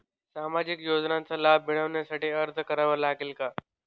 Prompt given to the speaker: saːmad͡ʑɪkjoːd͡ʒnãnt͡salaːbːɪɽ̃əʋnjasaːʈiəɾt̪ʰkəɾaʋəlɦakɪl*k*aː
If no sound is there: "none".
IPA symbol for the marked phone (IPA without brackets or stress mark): k